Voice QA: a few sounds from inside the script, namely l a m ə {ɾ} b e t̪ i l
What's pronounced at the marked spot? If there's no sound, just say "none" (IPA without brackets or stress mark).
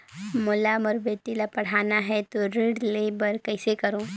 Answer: ɾ